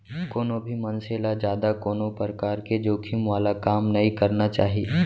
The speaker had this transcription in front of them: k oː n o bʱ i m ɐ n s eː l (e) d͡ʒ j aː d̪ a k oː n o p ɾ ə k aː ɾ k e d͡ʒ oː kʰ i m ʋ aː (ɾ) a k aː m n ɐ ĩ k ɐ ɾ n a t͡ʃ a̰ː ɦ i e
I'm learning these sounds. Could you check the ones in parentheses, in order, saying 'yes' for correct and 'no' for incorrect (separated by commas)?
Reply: no, no